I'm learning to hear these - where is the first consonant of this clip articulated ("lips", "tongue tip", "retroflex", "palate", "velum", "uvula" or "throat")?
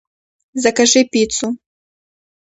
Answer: tongue tip